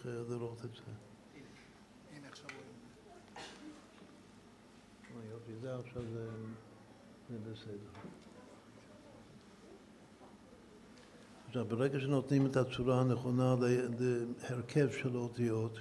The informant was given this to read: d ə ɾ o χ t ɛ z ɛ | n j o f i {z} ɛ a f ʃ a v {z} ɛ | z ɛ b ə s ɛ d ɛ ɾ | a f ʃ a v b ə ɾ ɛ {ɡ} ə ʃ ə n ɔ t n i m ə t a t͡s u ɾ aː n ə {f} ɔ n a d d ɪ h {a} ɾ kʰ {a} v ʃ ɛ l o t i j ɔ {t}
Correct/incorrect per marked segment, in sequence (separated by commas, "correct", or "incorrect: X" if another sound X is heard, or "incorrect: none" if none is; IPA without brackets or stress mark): correct, correct, correct, incorrect: χ, incorrect: ɛ, incorrect: ɛ, correct